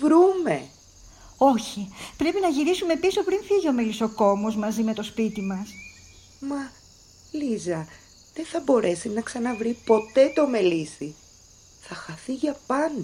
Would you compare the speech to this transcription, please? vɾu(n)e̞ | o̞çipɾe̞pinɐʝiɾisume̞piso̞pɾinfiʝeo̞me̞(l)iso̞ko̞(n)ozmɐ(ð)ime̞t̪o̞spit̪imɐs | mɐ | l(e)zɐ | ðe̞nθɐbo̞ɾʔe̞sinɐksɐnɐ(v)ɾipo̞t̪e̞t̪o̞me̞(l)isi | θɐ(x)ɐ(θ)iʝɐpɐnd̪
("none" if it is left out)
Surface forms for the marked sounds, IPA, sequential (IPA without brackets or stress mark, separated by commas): m, l, m, z, i, v, l, x, θ